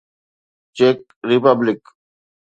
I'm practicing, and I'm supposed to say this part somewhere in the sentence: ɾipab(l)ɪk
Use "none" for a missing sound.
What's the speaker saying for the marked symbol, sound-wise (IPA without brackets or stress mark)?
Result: l